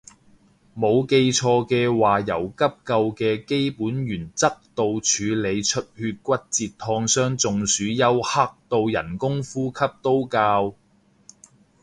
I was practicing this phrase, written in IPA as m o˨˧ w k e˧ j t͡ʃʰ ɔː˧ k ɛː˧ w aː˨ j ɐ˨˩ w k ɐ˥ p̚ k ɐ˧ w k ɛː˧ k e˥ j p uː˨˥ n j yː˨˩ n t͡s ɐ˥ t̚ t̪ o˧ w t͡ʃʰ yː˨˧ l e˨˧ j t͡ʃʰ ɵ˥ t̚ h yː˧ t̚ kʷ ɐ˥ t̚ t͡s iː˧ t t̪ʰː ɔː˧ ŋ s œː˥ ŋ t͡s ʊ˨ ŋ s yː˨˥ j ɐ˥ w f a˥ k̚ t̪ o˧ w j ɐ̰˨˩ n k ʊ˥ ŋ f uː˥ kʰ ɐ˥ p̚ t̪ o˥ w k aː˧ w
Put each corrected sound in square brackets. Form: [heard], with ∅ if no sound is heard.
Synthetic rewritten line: m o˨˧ w k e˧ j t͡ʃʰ ɔː˧ k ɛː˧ w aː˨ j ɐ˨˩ w k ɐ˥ p̚ k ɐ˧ w k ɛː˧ k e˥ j p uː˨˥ n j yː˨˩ n t͡s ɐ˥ [k̚] t̪ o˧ w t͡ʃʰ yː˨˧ l e˨˧ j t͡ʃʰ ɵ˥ t̚ h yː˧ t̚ kʷ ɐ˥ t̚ t͡s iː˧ t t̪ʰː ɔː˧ ŋ s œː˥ ŋ t͡s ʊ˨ ŋ s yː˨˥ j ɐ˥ w [h] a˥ k̚ t̪ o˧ w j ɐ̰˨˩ n k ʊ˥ ŋ f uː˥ kʰ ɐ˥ p̚ t̪ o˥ w k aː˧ w

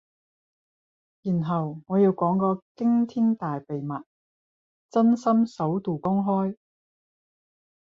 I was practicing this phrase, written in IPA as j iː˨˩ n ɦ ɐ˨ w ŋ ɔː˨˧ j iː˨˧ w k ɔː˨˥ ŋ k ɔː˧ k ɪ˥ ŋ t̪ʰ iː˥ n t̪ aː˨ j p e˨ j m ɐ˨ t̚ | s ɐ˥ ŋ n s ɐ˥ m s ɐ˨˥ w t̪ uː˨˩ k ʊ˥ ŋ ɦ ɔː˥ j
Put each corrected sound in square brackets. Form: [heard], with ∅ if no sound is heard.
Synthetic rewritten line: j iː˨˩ n ɦ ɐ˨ w ŋ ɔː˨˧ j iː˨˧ w k ɔː˨˥ ŋ k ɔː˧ k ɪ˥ ŋ t̪ʰ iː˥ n t̪ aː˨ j p e˨ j m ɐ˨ t̚ | [t͡s] ɐ˥ [∅] n s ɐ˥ m s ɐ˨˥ w t̪ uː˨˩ k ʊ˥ ŋ ɦ ɔː˥ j

